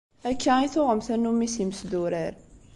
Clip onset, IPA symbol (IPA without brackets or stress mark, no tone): æ